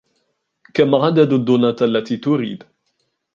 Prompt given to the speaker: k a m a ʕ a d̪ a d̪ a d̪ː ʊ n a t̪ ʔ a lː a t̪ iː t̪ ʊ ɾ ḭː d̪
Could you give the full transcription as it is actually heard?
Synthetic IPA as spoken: k a m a ʕ a d̪ a d̪ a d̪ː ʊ n a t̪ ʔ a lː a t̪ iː t̪ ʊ ɾ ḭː d̪